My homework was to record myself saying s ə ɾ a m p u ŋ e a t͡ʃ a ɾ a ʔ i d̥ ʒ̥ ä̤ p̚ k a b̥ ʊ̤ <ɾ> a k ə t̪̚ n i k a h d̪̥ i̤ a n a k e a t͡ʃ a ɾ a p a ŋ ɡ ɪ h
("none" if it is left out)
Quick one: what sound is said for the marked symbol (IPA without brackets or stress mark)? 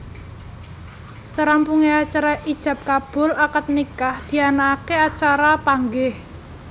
l